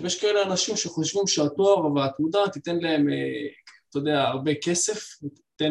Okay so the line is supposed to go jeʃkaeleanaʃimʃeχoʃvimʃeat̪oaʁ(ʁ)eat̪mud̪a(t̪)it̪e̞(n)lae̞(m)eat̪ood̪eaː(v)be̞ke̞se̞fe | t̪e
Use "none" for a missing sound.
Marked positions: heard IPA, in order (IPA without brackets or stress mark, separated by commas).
v, t̪, n, m, ʁ